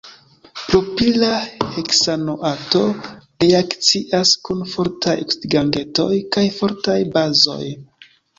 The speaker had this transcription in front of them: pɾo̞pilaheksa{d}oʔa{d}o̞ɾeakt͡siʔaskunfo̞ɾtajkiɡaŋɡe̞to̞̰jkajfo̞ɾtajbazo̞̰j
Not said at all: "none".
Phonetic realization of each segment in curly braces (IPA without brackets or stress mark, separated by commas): n, t